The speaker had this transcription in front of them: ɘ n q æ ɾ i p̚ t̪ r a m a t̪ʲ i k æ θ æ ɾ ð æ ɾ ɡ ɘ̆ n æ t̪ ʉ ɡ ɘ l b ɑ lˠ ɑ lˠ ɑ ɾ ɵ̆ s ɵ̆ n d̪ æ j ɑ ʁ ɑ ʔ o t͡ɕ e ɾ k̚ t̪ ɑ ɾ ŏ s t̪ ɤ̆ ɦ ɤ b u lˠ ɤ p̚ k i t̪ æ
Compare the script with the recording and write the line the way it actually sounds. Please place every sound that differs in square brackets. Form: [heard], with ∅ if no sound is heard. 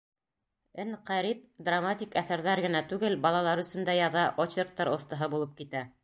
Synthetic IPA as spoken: ɘ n q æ ɾ i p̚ [d̪] r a m a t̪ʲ i k æ θ æ ɾ ð æ ɾ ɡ ɘ̆ n æ t̪ ʉ ɡ ɘ l b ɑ lˠ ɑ lˠ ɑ ɾ ɵ̆ s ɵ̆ n d̪ æ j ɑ [ð] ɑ ʔ o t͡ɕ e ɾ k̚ t̪ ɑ ɾ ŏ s t̪ ɤ̆ ɦ ɤ b u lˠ ɤ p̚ k i t̪ æ